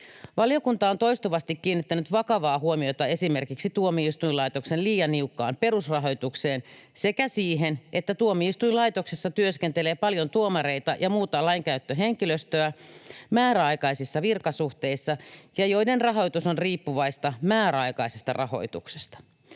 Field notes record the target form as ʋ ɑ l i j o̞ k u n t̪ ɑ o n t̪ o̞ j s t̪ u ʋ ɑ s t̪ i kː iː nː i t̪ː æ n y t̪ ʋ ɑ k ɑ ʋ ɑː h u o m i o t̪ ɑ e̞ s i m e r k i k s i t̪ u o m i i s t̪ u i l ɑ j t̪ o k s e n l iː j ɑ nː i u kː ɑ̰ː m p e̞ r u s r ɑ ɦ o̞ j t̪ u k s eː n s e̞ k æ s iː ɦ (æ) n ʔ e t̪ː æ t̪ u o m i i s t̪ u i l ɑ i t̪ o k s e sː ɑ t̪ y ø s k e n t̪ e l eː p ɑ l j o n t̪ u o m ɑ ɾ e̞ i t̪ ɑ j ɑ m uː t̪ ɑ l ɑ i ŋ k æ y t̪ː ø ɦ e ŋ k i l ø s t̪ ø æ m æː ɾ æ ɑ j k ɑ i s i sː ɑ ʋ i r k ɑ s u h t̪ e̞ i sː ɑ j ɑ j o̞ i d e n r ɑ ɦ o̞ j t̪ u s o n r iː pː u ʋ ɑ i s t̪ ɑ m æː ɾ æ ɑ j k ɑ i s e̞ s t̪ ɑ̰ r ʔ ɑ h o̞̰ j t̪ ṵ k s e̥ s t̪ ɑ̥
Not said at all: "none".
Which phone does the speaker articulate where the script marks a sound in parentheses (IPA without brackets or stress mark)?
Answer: e